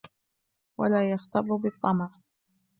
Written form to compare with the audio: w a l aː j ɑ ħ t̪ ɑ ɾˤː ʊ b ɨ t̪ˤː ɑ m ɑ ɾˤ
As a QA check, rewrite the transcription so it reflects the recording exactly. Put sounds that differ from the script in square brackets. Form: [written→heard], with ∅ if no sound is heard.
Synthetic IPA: w a l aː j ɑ [ħ→x] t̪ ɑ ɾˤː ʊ b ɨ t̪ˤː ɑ m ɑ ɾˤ